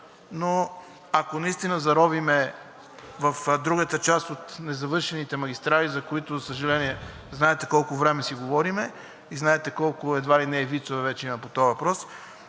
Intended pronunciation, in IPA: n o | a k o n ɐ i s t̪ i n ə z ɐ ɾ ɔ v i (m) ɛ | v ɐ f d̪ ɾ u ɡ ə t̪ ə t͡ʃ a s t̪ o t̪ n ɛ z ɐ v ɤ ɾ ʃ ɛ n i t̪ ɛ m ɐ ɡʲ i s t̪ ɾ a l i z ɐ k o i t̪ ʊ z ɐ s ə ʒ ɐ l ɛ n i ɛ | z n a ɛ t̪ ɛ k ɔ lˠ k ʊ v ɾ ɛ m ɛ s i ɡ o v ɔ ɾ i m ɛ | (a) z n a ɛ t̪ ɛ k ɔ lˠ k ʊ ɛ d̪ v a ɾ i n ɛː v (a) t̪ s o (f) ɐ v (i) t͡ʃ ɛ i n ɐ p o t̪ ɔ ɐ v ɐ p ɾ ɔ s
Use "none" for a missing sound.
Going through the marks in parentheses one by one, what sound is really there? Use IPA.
m, i, i, v, ɛ

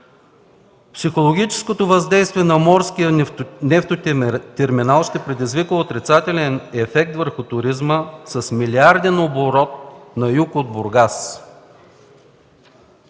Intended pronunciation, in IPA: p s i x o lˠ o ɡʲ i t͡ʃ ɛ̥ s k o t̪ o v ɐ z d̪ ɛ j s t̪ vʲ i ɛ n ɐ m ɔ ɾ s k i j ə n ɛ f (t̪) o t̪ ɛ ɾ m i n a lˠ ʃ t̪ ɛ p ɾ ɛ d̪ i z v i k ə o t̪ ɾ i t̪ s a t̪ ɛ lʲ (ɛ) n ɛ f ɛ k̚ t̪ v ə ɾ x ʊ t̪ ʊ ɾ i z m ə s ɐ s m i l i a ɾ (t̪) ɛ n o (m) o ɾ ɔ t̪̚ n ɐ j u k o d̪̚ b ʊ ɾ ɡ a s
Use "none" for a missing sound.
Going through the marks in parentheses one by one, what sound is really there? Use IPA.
t̪, ɛ, d̪, b

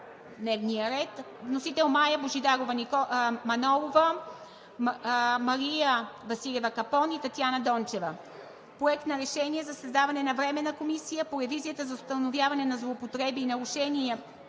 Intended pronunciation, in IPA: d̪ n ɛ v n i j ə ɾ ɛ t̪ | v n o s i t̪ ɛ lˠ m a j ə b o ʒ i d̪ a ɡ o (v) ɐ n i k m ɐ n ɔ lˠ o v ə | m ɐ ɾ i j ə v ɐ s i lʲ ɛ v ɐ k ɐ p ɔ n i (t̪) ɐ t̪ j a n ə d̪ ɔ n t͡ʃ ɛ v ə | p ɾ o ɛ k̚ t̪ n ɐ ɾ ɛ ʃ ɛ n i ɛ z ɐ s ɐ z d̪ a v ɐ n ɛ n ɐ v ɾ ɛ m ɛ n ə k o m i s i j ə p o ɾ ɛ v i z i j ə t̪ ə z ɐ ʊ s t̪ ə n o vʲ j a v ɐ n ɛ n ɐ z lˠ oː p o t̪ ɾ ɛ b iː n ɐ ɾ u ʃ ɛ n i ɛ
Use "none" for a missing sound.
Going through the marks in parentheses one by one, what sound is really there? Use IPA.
v, t̪

